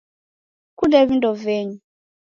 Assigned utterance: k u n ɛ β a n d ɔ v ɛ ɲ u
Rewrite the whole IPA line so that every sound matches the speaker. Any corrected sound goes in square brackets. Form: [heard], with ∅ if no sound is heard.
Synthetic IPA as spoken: k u [d] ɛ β [i] n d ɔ v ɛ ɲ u